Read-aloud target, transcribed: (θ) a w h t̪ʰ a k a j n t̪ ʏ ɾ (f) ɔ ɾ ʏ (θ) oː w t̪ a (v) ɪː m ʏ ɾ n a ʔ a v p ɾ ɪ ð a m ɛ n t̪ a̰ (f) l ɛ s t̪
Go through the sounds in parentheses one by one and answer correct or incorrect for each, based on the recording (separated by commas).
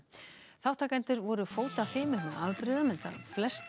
correct, incorrect, incorrect, incorrect, correct